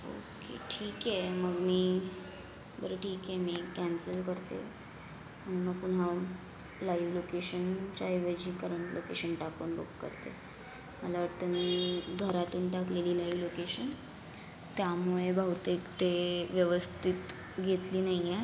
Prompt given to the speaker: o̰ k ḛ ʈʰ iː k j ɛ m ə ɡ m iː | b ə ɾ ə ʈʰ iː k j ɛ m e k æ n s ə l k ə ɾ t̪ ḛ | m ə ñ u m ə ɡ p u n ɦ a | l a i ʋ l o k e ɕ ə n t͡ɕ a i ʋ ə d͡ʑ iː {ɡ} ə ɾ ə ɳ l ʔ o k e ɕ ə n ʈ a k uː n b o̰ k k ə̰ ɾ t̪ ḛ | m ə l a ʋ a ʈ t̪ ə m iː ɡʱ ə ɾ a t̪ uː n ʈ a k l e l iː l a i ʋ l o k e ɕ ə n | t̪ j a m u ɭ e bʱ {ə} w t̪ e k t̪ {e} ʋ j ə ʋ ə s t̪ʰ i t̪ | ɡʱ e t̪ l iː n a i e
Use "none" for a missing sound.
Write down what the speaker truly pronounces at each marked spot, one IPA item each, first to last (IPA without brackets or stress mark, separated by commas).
k, a, e